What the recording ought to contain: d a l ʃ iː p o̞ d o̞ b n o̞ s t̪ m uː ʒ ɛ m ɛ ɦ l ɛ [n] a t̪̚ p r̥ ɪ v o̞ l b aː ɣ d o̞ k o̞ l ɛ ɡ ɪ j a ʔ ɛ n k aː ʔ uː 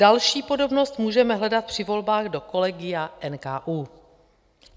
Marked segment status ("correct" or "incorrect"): incorrect